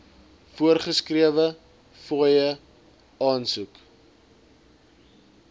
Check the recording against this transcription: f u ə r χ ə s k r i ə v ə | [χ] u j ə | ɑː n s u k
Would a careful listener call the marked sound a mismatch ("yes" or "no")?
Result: yes